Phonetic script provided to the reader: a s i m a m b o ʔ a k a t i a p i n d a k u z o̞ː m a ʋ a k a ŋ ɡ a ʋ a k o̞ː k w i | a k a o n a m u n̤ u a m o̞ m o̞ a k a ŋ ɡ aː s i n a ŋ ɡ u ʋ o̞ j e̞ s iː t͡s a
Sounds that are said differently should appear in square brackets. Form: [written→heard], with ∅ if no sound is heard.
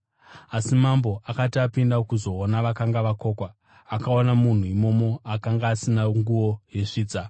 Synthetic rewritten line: a s i m a m b o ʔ a k a t i a p i n d a k u z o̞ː [m→n] a ʋ a k a ŋ ɡ a ʋ a k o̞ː k w [i→a] | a k a o n a m u n̤ u [a→i] m o̞ m o̞ a k a ŋ ɡ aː s i n a ŋ ɡ u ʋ o̞ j e̞ [s→ʂ] iː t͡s a